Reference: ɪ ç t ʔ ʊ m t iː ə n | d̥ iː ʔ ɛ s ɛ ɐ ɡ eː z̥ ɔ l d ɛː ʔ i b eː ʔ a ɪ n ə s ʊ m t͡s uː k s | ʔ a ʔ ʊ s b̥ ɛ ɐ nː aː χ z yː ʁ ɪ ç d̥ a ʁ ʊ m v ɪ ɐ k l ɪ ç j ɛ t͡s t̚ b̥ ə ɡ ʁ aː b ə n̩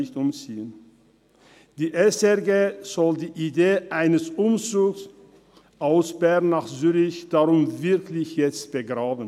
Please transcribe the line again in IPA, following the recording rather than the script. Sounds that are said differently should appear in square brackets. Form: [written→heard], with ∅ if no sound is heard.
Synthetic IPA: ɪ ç t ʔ ʊ m [t→t͡s] iː ə n | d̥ iː ʔ ɛ s ɛ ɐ ɡ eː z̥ ɔ l d [ɛː→iː] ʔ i [b→d] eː ʔ a ɪ n ə s ʊ m t͡s uː k s | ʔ a [ʔ→∅] ʊ s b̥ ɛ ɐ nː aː χ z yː ʁ ɪ ç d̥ a ʁ ʊ m v ɪ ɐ k l ɪ ç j ɛ t͡s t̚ b̥ ə ɡ ʁ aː b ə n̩